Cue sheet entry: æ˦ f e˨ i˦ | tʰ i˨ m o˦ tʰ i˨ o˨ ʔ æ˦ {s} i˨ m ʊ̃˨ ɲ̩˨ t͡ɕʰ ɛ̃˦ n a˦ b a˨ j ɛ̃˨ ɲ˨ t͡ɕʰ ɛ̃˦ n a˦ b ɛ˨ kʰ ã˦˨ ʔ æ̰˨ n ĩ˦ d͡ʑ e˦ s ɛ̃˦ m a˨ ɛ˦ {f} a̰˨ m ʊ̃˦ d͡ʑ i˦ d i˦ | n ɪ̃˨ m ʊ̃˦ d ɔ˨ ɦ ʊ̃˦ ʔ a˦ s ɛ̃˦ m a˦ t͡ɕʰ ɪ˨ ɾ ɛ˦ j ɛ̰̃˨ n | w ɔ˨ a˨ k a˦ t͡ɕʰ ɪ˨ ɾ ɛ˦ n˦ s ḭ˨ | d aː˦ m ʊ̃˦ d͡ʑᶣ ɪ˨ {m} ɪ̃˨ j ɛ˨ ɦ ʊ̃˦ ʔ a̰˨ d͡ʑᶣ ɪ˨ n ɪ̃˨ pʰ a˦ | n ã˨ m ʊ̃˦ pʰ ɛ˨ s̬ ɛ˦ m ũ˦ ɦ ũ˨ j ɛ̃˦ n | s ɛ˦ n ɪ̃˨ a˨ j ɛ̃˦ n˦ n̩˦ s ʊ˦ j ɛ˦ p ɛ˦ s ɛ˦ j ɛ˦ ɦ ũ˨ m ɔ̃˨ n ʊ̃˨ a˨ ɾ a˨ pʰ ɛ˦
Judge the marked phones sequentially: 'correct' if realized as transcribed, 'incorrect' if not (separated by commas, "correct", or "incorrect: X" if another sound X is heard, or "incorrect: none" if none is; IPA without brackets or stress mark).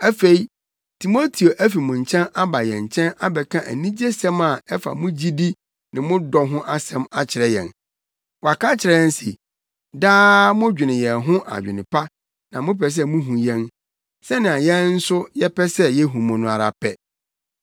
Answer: incorrect: f, correct, incorrect: n